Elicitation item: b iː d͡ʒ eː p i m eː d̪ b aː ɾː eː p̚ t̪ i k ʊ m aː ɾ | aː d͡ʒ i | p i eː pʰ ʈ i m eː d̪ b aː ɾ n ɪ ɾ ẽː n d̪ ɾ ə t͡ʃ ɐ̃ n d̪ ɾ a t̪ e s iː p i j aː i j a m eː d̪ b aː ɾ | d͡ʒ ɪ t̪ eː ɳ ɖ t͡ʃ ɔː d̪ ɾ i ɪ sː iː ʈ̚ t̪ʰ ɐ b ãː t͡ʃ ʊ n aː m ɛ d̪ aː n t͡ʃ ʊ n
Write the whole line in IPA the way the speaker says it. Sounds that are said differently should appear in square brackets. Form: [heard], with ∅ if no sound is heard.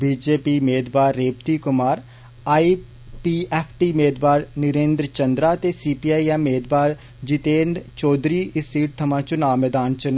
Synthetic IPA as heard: b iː d͡ʒ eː p i m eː d̪ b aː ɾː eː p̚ t̪ i k ʊ m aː ɾ | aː [∅] i | p i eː pʰ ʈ i m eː d̪ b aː ɾ n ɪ ɾ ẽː n d̪ ɾ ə t͡ʃ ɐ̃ n d̪ ɾ a t̪ e s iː p i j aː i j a m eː d̪ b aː ɾ | d͡ʒ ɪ t̪ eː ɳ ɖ t͡ʃ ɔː d̪ ɾ i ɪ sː iː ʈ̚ t̪ʰ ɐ [m] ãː t͡ʃ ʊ n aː m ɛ d̪ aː n t͡ʃ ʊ n